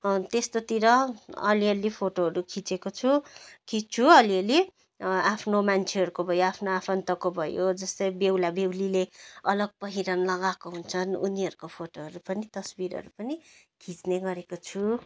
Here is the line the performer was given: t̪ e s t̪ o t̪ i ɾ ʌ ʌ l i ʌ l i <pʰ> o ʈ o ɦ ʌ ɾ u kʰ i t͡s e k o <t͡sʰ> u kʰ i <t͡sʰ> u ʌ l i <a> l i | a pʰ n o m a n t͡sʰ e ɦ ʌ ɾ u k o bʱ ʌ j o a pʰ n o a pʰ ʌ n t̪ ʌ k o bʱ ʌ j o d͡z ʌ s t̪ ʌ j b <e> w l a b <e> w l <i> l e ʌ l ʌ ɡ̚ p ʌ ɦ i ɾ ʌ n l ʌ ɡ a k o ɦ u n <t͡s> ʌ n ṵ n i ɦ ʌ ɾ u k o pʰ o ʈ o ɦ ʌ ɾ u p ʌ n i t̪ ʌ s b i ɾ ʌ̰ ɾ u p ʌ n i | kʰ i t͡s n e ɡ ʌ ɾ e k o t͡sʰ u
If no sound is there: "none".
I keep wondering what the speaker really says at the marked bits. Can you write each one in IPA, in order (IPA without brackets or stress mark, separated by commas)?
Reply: pʰ, t͡sʰ, t͡sʰ, ʌ, e, e, i, t͡sʰ